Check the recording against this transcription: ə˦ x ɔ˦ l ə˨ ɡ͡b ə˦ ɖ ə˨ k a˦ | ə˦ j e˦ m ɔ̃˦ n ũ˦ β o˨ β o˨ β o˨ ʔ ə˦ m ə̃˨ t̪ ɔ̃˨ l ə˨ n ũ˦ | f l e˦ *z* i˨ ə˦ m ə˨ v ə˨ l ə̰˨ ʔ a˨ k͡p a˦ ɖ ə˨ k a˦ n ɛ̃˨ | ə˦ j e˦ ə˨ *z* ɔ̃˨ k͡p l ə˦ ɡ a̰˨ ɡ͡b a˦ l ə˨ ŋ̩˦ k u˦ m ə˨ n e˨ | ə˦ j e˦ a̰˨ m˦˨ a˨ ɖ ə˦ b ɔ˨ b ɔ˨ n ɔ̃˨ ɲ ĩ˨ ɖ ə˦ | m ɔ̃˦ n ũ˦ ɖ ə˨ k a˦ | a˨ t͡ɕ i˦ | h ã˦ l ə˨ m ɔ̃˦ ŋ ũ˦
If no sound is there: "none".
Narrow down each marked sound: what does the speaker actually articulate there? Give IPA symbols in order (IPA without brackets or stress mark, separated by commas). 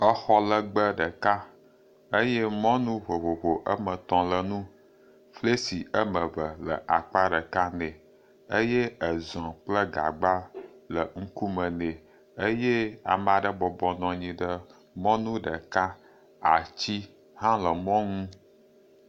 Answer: s, z